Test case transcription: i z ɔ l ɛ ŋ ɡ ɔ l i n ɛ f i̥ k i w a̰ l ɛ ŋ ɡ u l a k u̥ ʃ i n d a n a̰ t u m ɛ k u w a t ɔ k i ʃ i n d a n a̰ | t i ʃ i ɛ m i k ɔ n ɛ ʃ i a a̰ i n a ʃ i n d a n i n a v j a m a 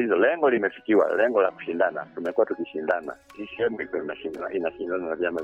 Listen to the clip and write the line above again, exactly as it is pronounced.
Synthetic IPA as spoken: i z ɔ l ɛ ŋ ɡ ɔ l i m ɛ f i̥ k i w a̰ l ɛ ŋ ɡ ɔ l a k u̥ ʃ i n d a n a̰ t u m ɛ k u w a t u k i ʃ i n d a n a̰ | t i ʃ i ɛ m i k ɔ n a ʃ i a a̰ i n a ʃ i n d a n a n a v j a m a